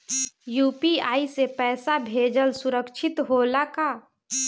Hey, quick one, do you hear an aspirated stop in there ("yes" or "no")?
no